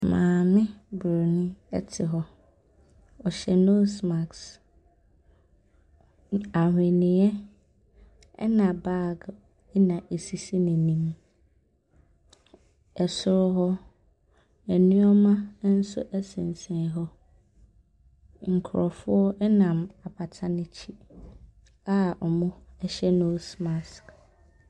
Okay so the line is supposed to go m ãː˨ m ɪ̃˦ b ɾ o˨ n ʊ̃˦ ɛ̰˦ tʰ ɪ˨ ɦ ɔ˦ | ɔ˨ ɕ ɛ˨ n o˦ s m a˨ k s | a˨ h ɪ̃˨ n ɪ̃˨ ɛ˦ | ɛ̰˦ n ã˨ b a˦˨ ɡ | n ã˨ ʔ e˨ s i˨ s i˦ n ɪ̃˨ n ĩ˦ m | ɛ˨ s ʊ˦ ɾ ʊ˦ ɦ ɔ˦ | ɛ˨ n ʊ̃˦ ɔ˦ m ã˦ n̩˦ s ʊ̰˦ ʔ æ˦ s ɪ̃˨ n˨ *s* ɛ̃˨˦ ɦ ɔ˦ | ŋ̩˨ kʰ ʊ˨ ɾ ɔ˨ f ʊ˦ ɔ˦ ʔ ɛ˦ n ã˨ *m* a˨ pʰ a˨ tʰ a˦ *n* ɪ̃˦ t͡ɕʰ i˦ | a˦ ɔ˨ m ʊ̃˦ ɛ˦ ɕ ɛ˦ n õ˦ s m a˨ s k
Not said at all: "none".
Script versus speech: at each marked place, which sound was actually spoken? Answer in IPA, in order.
s, m, n

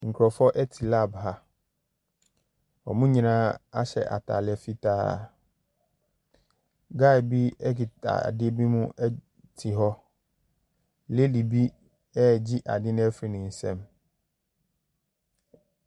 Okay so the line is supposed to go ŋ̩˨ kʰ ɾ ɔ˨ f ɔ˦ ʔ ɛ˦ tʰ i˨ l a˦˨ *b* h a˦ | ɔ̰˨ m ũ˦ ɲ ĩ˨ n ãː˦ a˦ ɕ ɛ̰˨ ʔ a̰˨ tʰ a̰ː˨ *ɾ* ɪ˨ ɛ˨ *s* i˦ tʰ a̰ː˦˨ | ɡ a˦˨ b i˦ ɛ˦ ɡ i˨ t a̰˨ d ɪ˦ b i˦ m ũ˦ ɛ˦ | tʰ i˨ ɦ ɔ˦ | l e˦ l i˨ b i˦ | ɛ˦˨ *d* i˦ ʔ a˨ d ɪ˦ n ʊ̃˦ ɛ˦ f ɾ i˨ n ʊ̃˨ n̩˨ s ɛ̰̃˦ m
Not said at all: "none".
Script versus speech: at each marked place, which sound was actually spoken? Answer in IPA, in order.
b, l, f, d͡ʑ

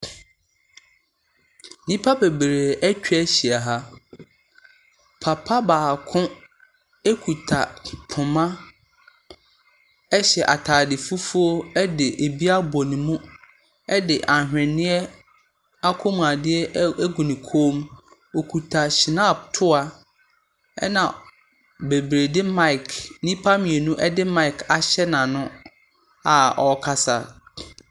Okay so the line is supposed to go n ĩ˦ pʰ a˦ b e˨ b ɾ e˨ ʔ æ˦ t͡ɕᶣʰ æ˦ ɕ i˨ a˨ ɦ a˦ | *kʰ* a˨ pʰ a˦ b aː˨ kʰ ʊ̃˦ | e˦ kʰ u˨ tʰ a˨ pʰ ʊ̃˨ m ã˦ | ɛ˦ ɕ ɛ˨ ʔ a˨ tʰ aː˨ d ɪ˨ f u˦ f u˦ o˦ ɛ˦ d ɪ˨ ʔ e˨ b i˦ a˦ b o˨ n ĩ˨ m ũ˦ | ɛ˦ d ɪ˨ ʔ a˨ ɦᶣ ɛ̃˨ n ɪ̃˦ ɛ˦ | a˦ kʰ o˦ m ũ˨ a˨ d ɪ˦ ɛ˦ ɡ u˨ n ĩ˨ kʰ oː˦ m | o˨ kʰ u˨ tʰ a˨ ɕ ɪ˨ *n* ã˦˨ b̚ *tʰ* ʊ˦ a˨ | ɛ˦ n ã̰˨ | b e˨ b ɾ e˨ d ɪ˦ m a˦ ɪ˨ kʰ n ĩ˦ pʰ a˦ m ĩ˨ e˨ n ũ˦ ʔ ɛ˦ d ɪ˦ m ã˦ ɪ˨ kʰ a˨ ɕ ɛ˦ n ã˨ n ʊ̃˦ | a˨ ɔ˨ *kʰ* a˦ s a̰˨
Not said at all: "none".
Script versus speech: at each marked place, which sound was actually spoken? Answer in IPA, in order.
pʰ, n, tʰ, kʰ

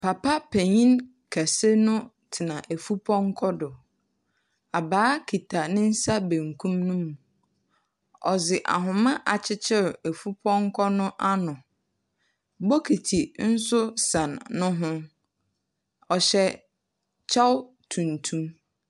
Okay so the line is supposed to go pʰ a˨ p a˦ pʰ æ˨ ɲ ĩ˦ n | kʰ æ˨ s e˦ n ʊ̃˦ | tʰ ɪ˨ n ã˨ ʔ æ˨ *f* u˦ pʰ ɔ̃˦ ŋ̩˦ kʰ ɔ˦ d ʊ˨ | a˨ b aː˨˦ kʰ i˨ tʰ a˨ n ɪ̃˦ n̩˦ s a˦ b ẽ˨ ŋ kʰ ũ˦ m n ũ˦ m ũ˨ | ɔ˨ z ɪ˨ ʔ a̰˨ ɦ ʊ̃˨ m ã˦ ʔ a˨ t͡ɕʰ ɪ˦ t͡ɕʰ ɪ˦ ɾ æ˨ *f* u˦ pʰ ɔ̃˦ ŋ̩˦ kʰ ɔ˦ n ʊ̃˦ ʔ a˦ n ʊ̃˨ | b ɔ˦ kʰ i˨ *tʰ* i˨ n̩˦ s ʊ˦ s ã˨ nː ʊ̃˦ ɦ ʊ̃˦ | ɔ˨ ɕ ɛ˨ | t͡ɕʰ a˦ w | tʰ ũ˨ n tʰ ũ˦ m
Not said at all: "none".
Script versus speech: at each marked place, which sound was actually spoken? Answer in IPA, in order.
f, f, tʰ

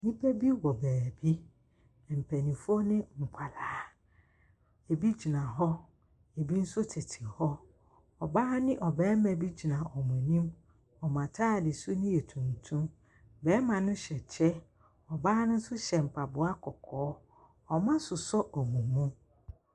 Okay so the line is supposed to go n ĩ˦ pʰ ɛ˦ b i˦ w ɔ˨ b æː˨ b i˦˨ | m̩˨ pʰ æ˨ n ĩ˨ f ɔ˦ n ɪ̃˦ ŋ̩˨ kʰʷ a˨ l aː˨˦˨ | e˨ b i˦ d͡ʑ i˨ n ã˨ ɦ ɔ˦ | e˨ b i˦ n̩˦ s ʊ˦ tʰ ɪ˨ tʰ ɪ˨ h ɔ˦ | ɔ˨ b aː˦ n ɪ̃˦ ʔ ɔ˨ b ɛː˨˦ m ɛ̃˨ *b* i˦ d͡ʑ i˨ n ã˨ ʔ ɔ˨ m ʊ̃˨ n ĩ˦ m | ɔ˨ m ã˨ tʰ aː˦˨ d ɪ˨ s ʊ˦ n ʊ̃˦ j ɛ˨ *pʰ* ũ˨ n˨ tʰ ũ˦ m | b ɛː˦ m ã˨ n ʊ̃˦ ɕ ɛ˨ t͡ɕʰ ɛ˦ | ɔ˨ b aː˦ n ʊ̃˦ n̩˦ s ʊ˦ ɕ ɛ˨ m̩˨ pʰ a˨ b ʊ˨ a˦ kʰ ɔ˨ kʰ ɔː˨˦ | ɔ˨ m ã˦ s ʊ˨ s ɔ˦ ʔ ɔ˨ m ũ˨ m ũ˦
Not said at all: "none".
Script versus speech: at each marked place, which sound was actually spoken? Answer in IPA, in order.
b, tʰ

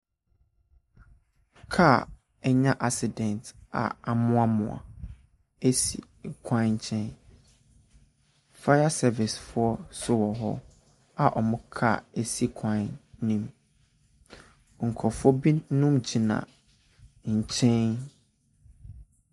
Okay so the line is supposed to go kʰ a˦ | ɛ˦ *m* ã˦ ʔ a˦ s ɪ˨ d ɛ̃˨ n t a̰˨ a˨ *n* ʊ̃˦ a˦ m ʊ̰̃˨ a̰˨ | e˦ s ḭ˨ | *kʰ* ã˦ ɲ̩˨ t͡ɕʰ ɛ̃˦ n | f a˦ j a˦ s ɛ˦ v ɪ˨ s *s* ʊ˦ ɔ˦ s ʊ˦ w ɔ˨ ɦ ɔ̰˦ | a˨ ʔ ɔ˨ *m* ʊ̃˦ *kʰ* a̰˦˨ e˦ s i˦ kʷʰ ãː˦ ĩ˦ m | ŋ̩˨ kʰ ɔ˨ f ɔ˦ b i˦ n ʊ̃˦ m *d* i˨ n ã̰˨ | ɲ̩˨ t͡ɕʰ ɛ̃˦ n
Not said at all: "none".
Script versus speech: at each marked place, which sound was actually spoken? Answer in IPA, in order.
ɲ, m, kʰ, f, m, kʰ, d͡ʑ

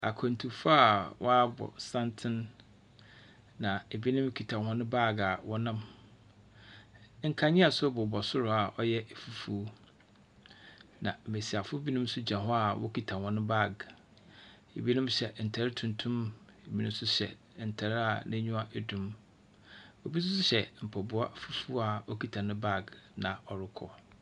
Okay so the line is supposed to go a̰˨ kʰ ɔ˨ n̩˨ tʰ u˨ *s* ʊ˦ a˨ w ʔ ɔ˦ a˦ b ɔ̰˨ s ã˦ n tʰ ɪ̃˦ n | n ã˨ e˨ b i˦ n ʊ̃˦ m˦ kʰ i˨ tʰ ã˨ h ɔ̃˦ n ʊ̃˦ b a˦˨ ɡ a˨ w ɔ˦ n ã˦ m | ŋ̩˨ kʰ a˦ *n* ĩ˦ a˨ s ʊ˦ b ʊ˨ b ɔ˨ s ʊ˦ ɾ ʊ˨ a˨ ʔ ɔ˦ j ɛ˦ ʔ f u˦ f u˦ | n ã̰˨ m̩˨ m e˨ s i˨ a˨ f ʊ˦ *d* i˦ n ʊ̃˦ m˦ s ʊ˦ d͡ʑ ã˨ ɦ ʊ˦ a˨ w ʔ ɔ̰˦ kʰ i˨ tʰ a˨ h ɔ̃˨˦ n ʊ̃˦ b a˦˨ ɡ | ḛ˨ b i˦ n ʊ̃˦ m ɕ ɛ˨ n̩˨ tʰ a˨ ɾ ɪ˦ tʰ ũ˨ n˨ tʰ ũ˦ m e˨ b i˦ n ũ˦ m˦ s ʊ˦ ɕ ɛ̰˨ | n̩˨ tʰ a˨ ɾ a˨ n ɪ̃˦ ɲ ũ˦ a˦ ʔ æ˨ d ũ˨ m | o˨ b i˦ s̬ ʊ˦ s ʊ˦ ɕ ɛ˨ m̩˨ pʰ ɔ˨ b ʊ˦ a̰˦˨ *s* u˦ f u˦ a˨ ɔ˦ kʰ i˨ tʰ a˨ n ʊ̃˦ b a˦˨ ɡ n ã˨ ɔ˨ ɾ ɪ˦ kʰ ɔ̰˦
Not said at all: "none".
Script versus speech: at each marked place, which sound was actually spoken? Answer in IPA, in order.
f, ɲ, b, f

